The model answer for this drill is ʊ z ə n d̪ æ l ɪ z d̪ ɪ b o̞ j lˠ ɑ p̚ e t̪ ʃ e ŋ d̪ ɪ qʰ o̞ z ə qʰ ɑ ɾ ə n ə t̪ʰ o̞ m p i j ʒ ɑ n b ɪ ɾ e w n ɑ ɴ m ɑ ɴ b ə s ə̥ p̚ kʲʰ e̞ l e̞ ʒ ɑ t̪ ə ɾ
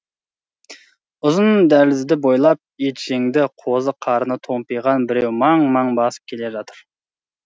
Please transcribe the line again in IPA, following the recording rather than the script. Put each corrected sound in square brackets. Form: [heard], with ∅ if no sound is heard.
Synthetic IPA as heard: ʊ z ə n d̪ æ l ɪ z d̪ ɪ b o̞ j lˠ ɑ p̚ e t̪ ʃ e ŋ d̪ ɪ qʰ o̞ z ə qʰ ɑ ɾ ə n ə t̪ʰ o̞ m p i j [ʁ] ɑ n b ɪ ɾ e w [m] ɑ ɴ m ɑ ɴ b [ɑ] s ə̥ p̚ kʲʰ e̞ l e̞ ʒ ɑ t̪ ə ɾ